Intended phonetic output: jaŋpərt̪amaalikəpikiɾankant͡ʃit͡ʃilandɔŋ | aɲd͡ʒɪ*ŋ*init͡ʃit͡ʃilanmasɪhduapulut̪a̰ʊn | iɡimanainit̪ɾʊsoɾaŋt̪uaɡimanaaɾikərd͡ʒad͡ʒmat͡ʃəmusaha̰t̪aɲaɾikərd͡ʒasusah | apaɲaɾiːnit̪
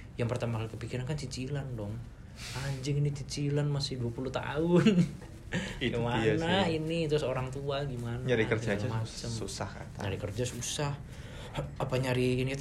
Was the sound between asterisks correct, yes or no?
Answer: yes